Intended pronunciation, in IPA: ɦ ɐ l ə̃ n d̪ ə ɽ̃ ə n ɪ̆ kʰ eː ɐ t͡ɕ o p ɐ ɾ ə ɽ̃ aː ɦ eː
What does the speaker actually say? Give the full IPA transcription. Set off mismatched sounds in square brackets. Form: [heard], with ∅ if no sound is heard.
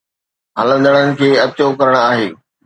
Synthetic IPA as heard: ɦ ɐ l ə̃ n d̪ ə ɽ̃ ə n ɪ̆ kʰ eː ɐ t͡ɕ o [k] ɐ ɾ ə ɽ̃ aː ɦ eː